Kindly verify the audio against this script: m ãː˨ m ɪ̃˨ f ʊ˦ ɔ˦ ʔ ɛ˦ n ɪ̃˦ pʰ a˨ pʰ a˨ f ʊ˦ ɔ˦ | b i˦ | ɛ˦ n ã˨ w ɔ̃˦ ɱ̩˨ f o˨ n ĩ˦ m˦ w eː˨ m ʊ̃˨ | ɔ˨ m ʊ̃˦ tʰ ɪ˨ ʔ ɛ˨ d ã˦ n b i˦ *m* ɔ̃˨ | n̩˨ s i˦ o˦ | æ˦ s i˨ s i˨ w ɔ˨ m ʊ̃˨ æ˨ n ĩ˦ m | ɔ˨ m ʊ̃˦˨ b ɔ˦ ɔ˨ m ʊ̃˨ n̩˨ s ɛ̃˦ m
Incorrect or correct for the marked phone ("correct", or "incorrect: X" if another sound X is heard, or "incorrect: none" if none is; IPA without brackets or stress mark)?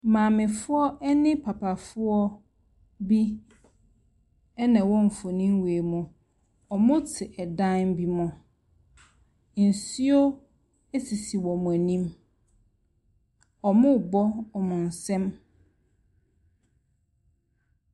correct